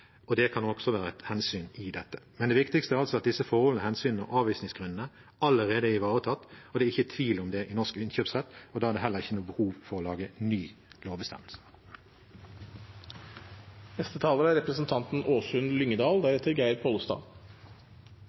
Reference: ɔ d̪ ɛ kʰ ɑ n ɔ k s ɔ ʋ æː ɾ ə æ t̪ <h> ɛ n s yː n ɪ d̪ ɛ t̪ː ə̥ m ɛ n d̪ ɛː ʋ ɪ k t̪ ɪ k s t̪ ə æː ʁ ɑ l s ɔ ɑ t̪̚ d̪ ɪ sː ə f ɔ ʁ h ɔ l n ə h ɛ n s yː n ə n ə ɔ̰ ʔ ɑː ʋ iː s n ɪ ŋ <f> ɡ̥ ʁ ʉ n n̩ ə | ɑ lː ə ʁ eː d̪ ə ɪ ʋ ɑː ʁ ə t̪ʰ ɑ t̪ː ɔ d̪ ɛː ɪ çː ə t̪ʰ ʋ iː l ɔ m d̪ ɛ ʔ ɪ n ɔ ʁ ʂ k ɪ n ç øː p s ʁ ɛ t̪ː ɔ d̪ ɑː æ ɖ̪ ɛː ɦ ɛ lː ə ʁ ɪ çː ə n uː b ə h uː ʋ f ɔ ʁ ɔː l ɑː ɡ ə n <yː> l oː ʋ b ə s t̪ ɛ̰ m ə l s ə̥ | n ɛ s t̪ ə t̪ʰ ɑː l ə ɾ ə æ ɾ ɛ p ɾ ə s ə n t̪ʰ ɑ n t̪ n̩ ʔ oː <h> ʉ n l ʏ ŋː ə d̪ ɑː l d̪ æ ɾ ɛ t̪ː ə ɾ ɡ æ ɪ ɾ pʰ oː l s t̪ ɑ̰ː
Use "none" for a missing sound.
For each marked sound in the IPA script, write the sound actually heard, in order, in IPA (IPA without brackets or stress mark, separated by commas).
h, s, yː, s